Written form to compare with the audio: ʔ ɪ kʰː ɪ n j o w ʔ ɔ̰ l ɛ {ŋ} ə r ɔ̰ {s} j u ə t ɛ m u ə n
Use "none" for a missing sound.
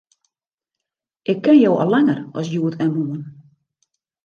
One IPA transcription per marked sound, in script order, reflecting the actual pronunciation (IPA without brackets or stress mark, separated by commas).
ŋ, s